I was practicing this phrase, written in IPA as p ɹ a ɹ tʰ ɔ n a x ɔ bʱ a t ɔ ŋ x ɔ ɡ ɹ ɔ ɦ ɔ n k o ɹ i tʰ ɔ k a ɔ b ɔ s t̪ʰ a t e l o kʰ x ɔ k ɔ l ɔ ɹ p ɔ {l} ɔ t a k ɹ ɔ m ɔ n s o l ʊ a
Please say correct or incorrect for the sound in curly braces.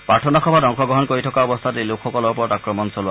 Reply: incorrect